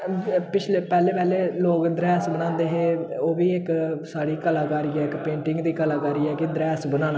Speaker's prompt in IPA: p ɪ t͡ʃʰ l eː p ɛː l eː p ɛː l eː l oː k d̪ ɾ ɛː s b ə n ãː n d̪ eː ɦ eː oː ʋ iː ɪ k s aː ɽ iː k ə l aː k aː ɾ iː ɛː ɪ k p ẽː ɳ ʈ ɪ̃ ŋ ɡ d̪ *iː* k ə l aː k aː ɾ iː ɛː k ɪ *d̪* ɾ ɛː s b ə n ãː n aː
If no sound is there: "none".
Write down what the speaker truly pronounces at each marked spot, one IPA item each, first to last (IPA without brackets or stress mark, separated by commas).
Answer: iː, d̪